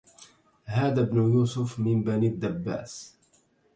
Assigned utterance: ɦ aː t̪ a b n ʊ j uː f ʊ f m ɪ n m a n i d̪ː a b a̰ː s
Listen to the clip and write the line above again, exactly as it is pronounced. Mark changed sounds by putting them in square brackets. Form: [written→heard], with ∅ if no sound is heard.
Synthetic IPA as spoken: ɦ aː [t̪→d̪] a b n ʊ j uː [f→s] ʊ f m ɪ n [m→b] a n i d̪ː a [b→bː] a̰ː s